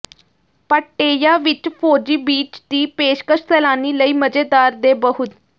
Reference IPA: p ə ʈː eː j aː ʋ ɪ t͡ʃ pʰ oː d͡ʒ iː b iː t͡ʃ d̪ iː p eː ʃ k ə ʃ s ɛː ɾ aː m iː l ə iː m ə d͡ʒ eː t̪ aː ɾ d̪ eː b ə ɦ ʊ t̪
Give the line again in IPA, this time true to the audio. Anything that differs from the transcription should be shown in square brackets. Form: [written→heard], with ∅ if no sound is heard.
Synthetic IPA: p ə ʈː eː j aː ʋ ɪ t͡ʃ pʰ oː d͡ʒ iː b iː t͡ʃ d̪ iː p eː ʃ k ə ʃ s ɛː [ɾ→l] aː [m→n] iː l ə iː m ə d͡ʒ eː [t̪→d̪] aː ɾ d̪ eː b ə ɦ ʊ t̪

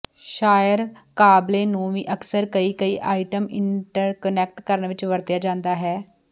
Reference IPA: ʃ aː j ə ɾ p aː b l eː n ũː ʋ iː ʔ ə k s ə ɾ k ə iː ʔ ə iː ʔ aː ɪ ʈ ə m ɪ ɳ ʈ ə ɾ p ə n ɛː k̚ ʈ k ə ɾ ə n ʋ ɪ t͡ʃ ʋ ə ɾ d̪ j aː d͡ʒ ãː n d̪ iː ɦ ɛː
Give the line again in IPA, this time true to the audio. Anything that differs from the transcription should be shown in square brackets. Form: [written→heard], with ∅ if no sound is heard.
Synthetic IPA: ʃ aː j ə ɾ [p→k] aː b l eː n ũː ʋ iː ʔ ə k s ə ɾ k ə iː [ʔ→k] ə iː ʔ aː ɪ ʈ ə m ɪ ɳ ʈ ə ɾ [p→k] ə n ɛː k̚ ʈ k ə ɾ ə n ʋ ɪ t͡ʃ ʋ ə ɾ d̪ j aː d͡ʒ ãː n d̪ [iː→aː] ɦ ɛː

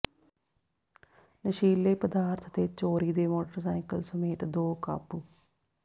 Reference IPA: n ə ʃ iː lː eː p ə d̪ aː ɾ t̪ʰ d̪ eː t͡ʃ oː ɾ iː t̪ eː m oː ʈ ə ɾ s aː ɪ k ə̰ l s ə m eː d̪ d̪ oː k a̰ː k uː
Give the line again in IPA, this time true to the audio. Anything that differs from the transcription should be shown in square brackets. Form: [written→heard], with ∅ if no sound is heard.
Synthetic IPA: n ə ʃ iː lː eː p ə d̪ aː ɾ t̪ʰ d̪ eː t͡ʃ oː ɾ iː [t̪→d̪] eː m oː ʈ ə ɾ s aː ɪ k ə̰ l s ə m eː [d̪→t̪] d̪ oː k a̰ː [k→p] uː

